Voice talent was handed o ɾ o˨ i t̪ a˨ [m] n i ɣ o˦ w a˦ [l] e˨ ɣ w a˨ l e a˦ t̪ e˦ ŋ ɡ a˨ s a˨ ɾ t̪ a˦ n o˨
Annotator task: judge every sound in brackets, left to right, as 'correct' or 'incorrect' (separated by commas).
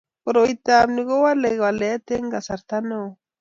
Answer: correct, correct